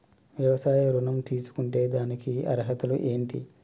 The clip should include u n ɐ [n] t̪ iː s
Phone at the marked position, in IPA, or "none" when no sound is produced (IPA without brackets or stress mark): m